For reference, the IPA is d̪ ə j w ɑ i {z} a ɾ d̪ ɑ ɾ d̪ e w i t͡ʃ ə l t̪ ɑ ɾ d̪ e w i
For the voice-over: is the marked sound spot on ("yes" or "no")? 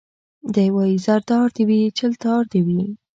yes